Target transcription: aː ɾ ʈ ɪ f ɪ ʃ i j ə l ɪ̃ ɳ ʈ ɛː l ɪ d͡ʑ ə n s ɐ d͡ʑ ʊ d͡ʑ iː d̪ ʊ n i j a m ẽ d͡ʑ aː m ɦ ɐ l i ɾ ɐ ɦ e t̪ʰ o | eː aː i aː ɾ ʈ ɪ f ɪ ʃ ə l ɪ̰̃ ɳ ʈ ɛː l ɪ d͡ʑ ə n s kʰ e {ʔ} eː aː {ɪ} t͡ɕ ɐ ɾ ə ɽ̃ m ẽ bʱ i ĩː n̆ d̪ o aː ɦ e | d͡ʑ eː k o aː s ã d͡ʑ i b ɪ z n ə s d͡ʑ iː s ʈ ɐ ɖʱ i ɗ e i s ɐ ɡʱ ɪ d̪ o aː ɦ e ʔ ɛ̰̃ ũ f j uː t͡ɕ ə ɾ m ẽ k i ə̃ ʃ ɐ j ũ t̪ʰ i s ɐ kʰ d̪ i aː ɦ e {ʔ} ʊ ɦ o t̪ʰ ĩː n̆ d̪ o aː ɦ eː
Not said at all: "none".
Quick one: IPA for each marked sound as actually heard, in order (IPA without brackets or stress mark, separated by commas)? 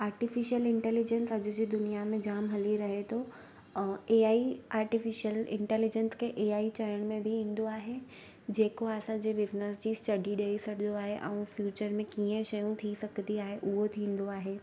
ʔ, i, ʔ